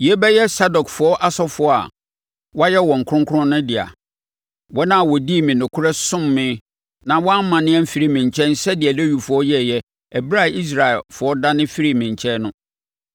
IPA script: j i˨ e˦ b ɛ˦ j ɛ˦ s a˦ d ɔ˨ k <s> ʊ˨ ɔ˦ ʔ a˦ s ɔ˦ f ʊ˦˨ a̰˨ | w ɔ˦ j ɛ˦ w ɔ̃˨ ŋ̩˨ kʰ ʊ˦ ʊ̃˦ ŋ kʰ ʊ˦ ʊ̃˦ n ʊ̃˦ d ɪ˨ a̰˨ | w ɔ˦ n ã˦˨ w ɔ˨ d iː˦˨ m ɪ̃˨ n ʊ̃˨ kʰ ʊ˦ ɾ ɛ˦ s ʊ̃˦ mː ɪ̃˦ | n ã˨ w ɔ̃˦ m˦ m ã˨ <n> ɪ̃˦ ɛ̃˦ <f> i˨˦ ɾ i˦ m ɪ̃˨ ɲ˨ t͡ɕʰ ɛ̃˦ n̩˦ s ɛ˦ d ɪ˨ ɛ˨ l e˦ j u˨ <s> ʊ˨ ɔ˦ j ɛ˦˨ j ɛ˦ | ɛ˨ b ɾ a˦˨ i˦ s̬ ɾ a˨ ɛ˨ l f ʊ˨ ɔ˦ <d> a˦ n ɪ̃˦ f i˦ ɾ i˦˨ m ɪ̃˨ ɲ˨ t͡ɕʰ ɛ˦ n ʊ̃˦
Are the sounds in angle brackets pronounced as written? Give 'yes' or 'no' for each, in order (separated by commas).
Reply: no, yes, yes, no, yes